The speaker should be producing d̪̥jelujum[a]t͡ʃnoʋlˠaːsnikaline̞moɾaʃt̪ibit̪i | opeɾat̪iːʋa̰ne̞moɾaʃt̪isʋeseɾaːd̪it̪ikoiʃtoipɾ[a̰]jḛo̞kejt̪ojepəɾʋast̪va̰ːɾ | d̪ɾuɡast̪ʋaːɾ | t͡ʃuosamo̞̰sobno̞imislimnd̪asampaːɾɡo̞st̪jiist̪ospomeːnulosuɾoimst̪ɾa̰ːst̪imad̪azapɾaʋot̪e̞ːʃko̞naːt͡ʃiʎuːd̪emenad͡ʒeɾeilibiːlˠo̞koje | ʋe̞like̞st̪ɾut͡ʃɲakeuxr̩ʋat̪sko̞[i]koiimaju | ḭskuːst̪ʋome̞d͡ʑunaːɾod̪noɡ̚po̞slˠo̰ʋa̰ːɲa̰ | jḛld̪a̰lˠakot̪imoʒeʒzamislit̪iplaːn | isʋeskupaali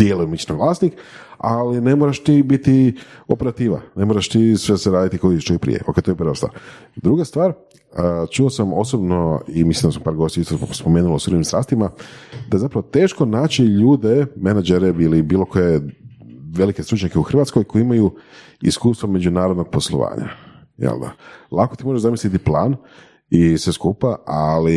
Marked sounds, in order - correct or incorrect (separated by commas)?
incorrect, incorrect, incorrect